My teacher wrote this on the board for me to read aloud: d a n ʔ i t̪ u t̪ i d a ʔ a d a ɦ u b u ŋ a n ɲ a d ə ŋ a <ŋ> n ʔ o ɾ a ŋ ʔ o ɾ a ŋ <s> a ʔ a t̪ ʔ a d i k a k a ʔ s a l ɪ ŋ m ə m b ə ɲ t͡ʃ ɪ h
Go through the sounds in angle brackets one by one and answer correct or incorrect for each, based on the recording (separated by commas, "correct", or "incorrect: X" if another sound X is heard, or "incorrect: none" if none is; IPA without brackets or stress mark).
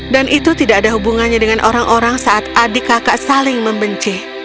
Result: incorrect: none, correct